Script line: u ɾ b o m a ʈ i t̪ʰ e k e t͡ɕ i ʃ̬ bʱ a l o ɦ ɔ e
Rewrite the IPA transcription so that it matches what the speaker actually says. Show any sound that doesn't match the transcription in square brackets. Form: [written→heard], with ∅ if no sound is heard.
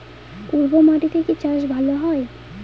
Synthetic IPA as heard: u ɾ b o m a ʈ i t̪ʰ e k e t͡ɕ [i→a] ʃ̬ bʱ a l o ɦ ɔ e